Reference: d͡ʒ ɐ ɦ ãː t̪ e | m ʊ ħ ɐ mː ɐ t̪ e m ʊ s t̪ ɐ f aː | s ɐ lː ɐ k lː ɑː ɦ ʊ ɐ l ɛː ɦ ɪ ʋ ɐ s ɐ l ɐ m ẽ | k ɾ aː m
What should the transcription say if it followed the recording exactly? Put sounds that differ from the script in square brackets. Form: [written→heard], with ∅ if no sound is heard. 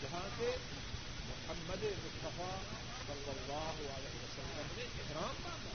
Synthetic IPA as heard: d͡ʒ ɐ ɦ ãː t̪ e | m ʊ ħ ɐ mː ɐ [t̪→d̪] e m ʊ s t̪ ɐ f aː | s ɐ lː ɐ [k→∅] lː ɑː ɦ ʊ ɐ l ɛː ɦ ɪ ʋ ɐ s ɐ [l→lː] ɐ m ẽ | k ɾ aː m